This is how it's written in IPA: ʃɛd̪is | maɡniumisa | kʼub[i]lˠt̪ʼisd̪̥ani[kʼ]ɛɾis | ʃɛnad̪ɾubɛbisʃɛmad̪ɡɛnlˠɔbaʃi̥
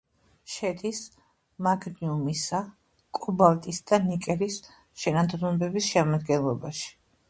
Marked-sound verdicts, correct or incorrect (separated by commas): incorrect, correct